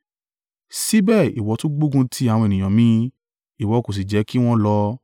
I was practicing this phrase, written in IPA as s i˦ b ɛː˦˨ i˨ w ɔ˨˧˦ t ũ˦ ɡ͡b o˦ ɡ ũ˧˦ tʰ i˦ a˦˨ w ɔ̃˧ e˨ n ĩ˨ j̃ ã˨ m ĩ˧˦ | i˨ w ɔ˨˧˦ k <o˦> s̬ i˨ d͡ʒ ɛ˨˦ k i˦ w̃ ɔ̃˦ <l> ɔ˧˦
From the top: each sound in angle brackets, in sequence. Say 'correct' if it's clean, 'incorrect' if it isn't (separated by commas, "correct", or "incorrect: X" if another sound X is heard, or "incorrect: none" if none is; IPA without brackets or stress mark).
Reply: incorrect: o˨, correct